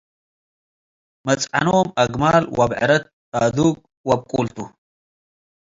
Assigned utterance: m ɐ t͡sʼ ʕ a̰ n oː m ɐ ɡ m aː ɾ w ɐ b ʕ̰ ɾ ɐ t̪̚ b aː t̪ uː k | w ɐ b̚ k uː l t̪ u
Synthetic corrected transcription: m ɐ t͡sʼ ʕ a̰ n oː m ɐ ɡ m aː l w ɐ b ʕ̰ ɾ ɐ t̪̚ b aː d̪ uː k | w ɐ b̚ kʼ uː l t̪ u